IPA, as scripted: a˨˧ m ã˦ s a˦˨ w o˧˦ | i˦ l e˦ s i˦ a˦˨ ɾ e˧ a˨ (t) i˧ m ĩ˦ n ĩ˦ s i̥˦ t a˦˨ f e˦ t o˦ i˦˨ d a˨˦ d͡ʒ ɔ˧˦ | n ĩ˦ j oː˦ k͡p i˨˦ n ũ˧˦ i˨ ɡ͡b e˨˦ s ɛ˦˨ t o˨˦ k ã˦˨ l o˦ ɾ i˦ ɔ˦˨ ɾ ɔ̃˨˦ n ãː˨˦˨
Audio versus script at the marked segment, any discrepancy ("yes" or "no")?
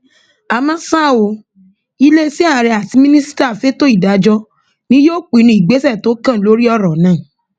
no